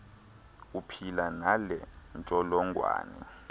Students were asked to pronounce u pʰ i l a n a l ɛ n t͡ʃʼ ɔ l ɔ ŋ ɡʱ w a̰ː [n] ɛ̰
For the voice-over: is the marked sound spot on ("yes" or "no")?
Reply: yes